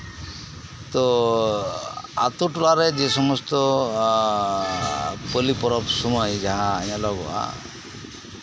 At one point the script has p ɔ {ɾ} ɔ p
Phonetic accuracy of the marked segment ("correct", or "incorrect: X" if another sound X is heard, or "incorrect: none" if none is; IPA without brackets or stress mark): correct